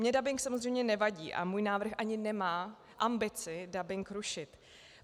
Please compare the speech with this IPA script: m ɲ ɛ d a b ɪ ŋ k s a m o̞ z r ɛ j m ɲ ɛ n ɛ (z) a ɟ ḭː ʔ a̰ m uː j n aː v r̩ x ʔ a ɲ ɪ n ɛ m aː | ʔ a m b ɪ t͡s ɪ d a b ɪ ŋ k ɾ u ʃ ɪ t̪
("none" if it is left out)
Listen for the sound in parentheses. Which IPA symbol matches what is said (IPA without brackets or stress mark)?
v